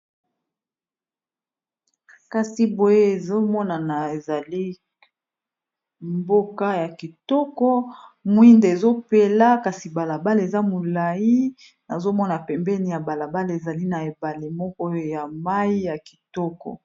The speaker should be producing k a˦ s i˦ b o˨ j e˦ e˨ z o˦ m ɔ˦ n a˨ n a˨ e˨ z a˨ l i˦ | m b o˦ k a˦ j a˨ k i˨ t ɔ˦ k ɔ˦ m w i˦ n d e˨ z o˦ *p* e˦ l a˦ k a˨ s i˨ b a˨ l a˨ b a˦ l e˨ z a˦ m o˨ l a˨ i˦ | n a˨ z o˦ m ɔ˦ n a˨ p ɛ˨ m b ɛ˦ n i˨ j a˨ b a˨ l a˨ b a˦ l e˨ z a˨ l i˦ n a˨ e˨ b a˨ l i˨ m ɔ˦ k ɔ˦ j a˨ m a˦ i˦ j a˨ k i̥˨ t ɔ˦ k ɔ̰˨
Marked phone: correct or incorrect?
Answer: correct